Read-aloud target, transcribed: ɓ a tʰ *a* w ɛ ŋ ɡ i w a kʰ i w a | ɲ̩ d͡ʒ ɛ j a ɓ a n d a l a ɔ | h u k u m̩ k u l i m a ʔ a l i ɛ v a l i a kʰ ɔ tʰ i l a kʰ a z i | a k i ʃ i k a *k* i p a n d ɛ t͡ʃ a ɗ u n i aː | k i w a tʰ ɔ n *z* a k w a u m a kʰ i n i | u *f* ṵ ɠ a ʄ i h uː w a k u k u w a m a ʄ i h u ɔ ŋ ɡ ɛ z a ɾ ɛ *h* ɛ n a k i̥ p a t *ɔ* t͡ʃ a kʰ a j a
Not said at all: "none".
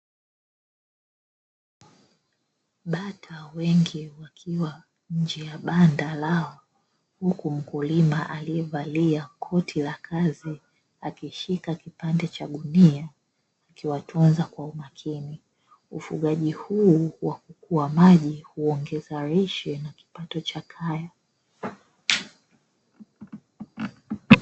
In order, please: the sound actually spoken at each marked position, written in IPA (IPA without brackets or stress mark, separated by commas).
a, k, z, f, ʃ, ɔ